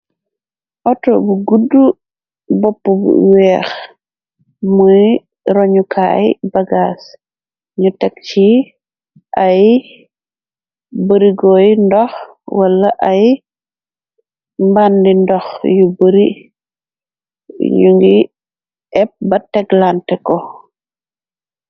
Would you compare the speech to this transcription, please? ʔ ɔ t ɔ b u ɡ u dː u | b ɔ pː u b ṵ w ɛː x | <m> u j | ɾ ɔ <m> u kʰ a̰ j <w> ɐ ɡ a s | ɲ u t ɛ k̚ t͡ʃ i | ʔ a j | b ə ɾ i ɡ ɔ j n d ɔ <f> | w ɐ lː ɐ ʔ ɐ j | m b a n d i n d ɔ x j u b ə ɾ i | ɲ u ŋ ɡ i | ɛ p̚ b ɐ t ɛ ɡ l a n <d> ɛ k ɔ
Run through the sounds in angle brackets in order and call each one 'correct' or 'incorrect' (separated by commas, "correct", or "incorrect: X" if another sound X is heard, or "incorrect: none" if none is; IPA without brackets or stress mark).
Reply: correct, incorrect: ɲ, incorrect: b, incorrect: x, incorrect: t